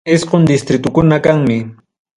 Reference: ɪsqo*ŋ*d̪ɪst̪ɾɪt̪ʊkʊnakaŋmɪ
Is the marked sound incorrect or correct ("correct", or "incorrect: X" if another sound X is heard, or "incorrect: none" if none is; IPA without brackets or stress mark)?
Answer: incorrect: n